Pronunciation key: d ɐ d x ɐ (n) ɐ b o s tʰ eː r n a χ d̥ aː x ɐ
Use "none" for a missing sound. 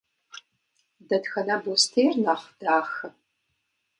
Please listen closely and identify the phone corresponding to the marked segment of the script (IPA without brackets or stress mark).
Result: n